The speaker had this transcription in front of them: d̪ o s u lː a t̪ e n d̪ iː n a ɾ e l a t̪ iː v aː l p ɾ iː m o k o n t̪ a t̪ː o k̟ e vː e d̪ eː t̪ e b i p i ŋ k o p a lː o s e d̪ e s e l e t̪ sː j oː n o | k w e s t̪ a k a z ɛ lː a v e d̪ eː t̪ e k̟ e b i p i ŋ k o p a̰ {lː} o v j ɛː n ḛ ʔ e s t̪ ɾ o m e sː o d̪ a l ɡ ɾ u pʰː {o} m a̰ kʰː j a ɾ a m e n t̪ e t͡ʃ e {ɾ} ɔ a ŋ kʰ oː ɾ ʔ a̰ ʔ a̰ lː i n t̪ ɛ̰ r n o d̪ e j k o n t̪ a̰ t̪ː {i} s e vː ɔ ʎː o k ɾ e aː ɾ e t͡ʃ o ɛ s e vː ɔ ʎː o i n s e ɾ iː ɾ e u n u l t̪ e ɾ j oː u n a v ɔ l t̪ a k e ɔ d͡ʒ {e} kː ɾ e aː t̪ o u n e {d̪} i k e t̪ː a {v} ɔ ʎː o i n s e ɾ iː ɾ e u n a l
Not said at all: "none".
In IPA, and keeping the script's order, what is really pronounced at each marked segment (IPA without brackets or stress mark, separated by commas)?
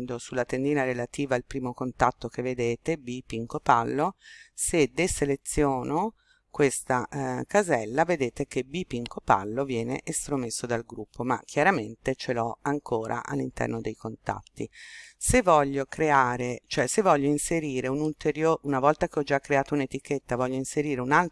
lː, o, l, i, a, t̪, v